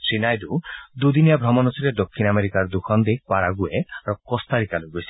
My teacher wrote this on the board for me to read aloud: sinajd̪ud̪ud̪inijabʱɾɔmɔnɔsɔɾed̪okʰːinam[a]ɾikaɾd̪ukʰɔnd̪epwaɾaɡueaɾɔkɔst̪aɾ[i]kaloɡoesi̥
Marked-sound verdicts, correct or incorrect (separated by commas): incorrect, correct